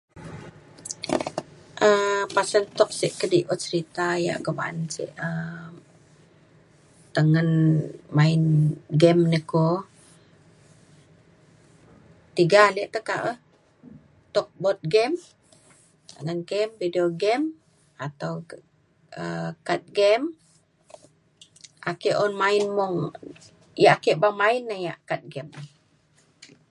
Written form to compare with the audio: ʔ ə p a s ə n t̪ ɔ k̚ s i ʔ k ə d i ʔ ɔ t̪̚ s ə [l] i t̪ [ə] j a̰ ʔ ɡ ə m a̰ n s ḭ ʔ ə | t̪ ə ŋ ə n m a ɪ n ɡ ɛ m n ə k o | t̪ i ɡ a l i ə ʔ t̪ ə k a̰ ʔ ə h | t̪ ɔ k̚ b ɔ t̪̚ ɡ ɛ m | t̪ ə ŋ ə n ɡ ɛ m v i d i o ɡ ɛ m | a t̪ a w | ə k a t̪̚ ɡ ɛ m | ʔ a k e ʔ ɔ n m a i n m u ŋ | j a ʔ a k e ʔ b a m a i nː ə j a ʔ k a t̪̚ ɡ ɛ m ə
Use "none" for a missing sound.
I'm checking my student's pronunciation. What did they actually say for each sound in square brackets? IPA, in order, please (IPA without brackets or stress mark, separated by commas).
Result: ɾ, a